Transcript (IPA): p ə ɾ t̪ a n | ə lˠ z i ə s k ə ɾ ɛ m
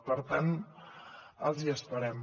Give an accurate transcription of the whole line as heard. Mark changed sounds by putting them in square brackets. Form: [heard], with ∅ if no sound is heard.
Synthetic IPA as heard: p ə ɾ t̪ a n | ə lˠ z i ə s [p] ə ɾ ɛ m

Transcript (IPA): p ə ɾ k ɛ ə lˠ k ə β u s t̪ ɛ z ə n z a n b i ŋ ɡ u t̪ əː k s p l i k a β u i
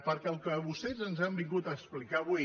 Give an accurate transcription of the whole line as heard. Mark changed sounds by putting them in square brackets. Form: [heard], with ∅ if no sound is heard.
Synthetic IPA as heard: p ə ɾ k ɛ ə lˠ k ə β u s t̪ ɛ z ə n z a [m] b i ŋ ɡ u t̪ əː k s p l i k a β u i

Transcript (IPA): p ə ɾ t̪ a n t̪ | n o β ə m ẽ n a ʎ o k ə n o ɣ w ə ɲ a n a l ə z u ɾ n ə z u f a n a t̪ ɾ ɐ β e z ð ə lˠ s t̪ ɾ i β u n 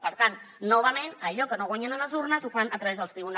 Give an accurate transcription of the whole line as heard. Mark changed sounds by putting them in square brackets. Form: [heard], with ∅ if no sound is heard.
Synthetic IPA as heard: p ə ɾ t̪ a n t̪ | n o β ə m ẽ n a ʎ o k ə n o ɣ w [a] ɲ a n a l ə z u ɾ n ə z u f a n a t̪ ɾ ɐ β e z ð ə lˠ s t̪ ɾ i β u n

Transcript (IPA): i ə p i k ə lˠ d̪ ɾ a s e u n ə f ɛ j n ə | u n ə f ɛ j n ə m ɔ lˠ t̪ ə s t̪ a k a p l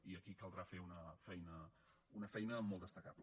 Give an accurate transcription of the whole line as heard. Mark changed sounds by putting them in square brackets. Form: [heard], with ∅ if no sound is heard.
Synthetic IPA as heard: i ə [k] i k ə lˠ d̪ ɾ a [f] e u n ə f ɛ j n ə | u n ə f ɛ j n ə m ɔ lˠ [d̪] ə s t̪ [ə] k a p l

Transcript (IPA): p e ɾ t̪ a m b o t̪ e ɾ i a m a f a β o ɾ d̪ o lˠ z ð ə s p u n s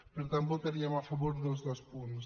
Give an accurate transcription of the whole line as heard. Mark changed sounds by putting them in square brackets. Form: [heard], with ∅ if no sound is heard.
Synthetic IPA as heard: p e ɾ t̪ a m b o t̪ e ɾ i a m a f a β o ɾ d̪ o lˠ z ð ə s p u n s

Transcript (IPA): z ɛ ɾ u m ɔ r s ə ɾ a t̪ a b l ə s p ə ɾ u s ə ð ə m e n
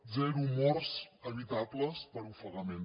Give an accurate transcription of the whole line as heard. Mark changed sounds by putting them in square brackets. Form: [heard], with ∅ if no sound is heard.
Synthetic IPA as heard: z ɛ ɾ u m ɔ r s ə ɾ [i] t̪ a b l ə s p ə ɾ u [f] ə [ɣ] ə m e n

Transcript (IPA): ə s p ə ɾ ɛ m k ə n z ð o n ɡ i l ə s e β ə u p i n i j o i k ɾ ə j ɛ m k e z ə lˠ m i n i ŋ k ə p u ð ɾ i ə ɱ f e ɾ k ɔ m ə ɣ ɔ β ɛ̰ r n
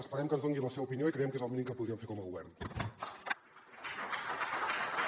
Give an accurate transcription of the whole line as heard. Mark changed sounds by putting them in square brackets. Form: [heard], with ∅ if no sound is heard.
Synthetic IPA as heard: ə s p ə ɾ ɛ m k ə n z ð o [ŋ] ɡ i l ə s e β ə u p i n i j o i k ɾ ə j ɛ m k e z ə lˠ m i n i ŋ k ə p u ð ɾ i ə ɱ f e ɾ k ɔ m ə ɣ [u] β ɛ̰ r n

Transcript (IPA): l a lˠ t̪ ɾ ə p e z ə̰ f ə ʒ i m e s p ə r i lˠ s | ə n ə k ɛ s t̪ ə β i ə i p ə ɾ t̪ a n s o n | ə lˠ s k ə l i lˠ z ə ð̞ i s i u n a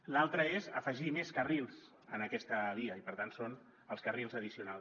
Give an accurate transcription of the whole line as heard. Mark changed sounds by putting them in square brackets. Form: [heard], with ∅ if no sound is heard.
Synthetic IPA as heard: l a lˠ t̪ ɾ ə [∅] e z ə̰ f ə ʒ i m e s [k] ə r i lˠ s | ə n ə k ɛ s t̪ ə β i ə i p ə ɾ t̪ a n s o n | ə lˠ s k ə [r] i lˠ z ə ð̞ i s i u n a

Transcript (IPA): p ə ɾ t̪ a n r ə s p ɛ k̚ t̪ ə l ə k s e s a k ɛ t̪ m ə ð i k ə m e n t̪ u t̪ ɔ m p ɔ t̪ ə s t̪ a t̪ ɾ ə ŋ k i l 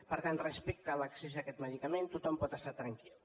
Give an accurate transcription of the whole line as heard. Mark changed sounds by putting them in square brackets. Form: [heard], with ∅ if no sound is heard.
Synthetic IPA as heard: p ə ɾ t̪ a n r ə s p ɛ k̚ t̪ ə l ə k s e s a k ɛ t̪ m ə ð i k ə m e n t̪ u t̪ ɔ m p ɔ t̪ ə s t̪ a t̪ ɾ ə ŋ k i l

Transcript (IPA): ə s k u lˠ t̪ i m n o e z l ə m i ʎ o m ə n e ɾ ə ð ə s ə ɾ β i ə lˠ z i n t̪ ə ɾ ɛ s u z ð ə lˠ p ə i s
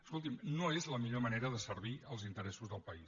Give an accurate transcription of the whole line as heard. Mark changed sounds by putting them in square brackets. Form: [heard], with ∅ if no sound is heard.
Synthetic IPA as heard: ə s k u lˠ t̪ i m n o e z l ə m i ʎ o m ə n e ɾ ə ð ə s ə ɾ β i ə lˠ z i n t̪ ə ɾ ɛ s u z ð ə lˠ p ə i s

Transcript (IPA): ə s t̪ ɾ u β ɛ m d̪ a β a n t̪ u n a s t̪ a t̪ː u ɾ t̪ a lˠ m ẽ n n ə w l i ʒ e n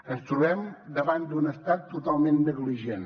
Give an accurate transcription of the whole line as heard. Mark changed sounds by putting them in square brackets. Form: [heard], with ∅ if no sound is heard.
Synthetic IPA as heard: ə s t̪ ɾ u β ɛ m d̪ [ə] β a n [d̪] u n [ə] s t̪ a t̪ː u [∅] t̪ a lˠ m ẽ n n ə [ɣ] l i ʒ e n

